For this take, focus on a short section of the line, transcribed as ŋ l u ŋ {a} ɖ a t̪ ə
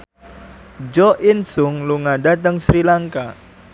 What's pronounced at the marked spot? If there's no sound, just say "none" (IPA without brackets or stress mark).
a